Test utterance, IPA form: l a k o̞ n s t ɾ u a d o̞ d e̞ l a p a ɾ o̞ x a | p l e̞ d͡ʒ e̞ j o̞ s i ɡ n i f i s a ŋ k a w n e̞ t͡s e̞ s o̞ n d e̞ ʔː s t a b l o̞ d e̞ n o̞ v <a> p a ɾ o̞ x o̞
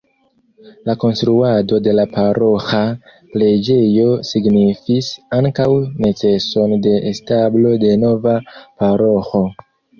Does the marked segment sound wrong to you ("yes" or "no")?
no